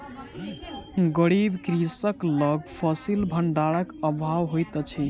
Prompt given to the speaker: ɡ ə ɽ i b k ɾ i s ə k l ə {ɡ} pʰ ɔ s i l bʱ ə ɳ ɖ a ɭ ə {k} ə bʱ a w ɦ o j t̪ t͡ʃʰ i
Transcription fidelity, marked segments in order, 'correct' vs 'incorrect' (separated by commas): correct, correct